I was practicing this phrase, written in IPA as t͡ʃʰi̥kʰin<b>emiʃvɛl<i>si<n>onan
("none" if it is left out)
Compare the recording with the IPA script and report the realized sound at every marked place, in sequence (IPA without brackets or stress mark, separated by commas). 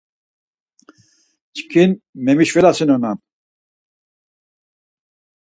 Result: m, a, n